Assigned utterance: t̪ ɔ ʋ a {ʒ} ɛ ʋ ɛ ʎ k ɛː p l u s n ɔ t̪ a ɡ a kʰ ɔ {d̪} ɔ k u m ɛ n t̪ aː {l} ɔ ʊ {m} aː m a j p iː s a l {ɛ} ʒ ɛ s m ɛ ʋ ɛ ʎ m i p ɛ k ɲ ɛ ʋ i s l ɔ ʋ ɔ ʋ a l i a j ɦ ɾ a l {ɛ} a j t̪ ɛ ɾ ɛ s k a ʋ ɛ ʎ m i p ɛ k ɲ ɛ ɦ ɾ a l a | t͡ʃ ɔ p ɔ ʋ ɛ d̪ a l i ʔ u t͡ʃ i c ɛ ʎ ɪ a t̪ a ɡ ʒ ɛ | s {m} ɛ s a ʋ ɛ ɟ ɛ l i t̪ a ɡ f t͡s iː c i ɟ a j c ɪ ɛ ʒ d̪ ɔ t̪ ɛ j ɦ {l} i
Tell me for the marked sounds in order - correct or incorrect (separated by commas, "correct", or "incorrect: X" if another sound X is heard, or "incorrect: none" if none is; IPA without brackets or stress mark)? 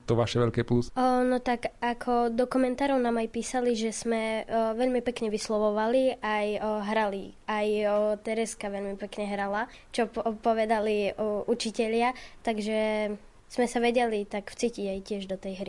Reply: incorrect: ʃ, correct, incorrect: ɾ, incorrect: n, incorrect: i, incorrect: i, correct, incorrect: ɾ